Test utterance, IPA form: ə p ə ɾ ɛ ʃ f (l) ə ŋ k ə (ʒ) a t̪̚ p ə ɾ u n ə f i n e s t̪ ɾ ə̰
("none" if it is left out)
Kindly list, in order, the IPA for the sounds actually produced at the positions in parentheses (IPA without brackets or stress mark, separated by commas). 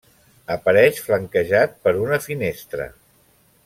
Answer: l, ʒ